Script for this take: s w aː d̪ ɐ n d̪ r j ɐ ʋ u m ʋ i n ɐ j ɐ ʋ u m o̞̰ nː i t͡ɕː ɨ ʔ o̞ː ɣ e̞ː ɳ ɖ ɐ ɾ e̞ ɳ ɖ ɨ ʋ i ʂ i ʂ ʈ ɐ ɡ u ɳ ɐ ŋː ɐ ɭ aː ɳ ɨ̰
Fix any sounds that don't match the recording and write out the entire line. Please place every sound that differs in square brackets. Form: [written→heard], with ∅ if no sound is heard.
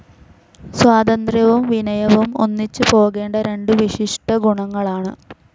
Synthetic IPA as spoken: s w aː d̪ ɐ n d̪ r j ɐ ʋ u m ʋ i n ɐ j ɐ ʋ u m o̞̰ nː i t͡ɕː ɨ [ʔ→p] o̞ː ɣ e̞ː ɳ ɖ ɐ ɾ e̞ ɳ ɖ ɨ ʋ i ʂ i ʂ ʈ ɐ ɡ u ɳ ɐ ŋː ɐ ɭ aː ɳ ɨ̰